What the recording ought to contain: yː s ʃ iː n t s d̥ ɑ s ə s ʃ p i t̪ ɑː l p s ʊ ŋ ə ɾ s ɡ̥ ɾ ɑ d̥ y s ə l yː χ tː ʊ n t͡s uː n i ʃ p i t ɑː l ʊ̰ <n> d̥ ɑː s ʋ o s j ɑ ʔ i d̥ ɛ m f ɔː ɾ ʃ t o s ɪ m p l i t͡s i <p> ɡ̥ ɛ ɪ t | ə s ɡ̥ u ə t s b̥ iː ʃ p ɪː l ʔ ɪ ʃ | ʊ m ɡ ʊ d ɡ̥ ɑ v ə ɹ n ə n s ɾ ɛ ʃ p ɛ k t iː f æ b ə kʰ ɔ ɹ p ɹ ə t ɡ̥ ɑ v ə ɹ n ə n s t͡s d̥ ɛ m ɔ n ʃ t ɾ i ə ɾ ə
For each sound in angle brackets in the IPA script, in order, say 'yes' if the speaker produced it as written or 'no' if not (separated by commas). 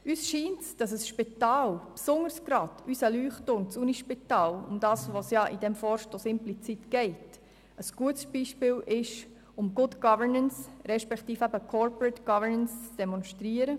no, no